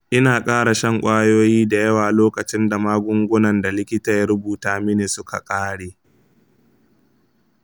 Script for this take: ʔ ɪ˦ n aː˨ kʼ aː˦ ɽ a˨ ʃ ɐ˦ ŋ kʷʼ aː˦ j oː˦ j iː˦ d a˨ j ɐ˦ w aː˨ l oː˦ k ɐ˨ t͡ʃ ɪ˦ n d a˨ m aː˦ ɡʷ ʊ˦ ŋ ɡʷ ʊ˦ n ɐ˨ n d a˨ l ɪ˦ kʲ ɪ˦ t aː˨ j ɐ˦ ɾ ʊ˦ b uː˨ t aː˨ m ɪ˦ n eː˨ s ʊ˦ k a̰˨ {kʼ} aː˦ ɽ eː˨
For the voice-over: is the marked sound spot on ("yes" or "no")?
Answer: yes